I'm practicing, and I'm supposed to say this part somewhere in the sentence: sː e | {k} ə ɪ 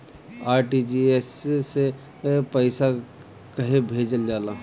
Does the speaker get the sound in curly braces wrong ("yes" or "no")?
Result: yes